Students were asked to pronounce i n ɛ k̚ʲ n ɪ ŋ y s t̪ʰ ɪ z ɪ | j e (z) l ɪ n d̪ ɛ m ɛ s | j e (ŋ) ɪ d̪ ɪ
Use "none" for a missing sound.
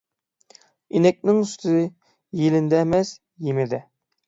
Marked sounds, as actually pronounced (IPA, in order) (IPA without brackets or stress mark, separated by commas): none, m